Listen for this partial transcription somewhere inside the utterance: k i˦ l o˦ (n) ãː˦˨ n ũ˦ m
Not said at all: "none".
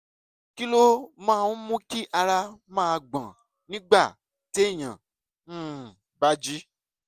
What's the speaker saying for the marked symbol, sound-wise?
m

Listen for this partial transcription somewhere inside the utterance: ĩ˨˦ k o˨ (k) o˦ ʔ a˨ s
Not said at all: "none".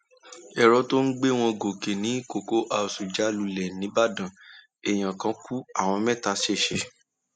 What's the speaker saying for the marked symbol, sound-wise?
k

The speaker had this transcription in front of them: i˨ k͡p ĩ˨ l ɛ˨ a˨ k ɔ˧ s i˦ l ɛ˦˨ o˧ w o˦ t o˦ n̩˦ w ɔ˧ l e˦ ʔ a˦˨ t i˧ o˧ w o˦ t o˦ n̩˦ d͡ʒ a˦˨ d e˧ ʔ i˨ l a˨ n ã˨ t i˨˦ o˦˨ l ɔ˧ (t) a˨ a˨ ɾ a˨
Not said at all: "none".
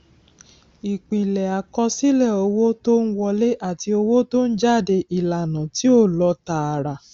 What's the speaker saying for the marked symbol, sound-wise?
t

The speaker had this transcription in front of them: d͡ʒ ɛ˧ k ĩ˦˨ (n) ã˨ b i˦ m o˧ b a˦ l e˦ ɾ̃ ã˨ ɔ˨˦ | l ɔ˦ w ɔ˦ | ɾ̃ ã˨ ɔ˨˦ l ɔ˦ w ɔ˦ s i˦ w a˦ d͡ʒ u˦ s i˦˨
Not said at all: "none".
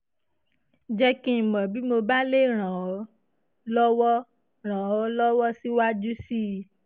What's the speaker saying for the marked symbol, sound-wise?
m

